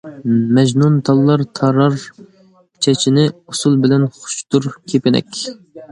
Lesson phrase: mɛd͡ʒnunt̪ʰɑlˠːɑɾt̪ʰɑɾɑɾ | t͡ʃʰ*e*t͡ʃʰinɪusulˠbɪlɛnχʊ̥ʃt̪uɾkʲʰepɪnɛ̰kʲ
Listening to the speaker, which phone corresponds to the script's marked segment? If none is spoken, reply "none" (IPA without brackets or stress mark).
ɛ